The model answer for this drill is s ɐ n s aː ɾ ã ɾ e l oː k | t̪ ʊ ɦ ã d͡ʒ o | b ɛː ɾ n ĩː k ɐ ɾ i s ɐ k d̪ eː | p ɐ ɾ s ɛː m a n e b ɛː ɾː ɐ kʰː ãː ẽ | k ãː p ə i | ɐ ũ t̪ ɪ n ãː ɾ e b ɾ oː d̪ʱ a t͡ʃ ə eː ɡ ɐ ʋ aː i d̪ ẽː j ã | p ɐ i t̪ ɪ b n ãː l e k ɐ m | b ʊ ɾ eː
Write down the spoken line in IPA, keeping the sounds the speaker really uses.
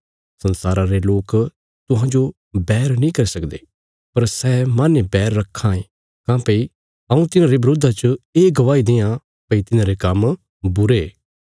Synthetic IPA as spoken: s ɐ n s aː ɾ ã ɾ e l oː k | t̪ ʊ ɦ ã d͡ʒ o | b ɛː ɾ n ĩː k ɐ ɾ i s ɐ k d̪ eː | p ɐ ɾ s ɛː m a n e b ɛː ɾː ɐ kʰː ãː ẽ | k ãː p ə i | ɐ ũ t̪ ɪ n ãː ɾ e b ɾ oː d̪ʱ a t͡ʃ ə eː ɡ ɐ ʋ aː i d̪ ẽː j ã | p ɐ i t̪ ɪ n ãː ɾ e k ɐ m | b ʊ ɾ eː